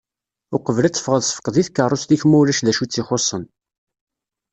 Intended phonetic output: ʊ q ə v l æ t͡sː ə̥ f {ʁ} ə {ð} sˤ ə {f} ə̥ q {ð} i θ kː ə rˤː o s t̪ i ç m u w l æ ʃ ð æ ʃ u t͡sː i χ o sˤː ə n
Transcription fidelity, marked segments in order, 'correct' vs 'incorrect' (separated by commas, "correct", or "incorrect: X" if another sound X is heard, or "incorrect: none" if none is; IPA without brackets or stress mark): correct, correct, correct, correct